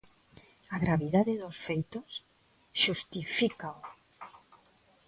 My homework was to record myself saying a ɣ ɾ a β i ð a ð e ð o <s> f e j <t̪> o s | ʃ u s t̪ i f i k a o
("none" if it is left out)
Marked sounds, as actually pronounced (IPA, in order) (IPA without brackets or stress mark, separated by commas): s, t̪